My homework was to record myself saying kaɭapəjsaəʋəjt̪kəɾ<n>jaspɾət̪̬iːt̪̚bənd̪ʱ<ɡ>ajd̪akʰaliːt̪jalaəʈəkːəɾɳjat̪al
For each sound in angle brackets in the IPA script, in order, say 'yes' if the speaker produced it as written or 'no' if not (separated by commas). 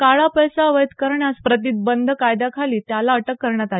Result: no, no